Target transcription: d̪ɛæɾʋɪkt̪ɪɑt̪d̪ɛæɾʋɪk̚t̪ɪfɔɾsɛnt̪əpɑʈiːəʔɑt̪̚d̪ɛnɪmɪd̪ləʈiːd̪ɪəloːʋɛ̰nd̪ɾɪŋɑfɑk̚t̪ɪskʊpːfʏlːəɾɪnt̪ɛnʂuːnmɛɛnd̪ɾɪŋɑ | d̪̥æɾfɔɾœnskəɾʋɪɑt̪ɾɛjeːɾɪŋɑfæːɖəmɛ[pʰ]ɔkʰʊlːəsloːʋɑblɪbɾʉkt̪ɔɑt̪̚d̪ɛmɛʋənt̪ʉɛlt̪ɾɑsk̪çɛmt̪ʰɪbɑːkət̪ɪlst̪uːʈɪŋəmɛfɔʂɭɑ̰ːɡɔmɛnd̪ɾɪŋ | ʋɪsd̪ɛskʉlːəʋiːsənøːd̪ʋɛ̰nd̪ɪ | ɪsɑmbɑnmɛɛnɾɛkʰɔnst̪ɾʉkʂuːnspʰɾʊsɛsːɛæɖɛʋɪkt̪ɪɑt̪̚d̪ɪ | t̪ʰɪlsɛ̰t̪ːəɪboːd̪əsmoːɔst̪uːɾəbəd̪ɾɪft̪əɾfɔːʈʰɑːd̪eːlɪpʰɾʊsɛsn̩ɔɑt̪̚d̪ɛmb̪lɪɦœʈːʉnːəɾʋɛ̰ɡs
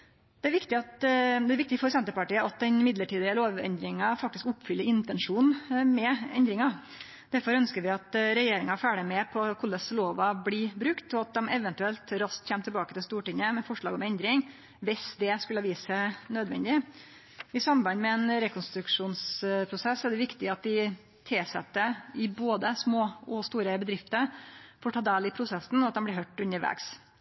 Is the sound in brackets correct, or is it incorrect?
correct